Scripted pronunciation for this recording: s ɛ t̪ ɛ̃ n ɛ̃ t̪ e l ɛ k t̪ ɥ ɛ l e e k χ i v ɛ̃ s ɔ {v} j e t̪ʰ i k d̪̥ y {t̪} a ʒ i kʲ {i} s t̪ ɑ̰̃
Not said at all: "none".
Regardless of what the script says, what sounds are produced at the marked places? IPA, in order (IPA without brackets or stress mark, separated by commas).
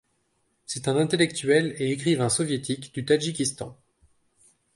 v, t̪, i